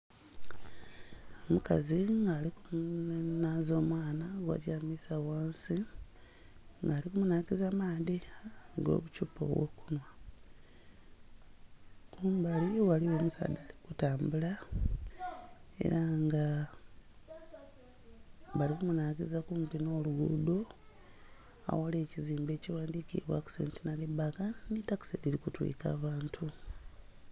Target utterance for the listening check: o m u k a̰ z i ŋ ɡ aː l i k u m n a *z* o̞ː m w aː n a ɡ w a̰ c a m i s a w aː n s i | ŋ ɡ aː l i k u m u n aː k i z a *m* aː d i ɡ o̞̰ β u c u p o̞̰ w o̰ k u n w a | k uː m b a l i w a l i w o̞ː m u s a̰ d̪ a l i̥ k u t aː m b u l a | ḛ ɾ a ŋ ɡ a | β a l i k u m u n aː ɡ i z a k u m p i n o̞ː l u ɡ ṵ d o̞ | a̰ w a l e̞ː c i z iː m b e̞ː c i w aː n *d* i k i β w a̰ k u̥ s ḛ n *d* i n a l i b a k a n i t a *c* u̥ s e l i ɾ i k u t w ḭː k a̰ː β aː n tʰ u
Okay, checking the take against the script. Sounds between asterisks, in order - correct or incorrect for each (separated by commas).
correct, correct, correct, incorrect, incorrect